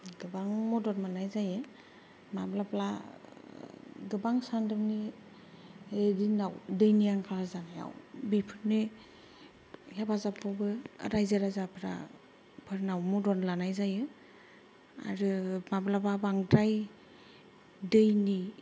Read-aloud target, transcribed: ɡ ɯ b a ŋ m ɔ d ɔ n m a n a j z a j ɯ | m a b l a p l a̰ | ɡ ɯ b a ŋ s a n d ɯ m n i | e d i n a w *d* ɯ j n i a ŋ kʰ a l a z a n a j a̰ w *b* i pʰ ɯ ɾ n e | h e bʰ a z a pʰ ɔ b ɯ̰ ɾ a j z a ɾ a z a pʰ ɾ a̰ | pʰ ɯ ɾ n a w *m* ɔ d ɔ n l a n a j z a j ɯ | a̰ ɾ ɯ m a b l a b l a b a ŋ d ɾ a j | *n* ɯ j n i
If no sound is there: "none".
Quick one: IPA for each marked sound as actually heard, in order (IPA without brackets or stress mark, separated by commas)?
d, b, m, d